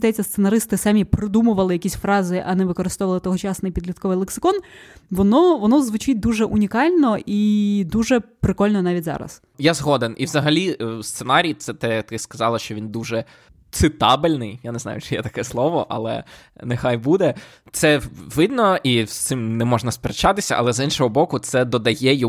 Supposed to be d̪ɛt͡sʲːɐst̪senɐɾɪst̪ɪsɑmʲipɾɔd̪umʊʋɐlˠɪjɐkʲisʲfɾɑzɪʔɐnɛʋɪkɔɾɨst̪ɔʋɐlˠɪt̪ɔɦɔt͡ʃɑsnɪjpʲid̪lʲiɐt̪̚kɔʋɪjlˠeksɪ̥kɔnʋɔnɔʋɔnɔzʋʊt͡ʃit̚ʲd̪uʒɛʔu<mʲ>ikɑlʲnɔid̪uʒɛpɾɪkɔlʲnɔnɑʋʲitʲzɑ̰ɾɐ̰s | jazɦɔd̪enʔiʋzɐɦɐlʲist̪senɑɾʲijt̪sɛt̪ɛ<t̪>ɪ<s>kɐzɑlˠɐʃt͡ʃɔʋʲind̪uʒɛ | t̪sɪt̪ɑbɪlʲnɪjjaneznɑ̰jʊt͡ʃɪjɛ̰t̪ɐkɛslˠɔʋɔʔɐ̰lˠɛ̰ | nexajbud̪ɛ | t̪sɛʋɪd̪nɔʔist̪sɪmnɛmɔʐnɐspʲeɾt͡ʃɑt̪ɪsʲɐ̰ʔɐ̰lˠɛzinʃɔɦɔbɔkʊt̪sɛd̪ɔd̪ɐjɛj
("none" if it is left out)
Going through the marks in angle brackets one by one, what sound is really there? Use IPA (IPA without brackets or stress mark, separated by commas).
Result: nʲ, t̪, s